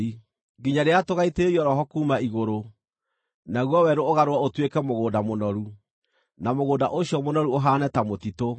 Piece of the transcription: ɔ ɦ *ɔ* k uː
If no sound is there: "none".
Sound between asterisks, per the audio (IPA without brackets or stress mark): ɔ